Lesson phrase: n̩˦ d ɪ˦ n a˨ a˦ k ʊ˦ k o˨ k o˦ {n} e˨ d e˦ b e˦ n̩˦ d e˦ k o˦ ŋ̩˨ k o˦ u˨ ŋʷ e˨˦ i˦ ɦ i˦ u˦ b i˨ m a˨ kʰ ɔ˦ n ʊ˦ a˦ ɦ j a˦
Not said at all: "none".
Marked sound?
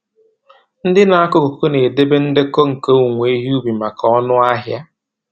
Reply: n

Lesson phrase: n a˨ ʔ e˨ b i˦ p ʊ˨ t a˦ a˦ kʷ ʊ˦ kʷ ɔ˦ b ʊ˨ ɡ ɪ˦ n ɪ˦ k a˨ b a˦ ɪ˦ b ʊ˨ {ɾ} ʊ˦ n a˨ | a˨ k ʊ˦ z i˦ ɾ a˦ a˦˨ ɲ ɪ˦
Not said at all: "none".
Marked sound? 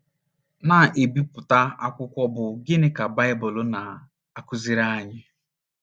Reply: l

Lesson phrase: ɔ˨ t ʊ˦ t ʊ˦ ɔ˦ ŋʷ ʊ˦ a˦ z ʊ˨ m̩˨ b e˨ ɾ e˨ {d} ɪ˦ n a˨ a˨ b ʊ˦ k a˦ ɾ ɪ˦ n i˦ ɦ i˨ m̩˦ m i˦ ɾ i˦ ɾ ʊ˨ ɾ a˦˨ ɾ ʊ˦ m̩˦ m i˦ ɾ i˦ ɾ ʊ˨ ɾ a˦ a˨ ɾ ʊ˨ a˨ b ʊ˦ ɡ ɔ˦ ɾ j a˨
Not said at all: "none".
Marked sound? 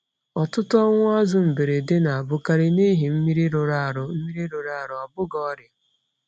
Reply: d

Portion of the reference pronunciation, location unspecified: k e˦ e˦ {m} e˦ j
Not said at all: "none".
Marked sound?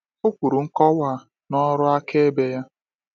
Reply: b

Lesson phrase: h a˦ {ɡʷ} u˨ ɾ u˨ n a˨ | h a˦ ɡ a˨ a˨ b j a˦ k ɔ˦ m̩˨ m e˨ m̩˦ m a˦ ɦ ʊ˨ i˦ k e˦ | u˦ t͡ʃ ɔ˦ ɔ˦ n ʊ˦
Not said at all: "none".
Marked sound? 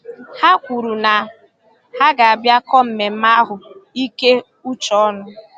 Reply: kʷ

